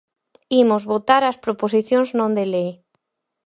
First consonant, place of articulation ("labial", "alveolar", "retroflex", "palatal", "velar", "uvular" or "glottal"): labial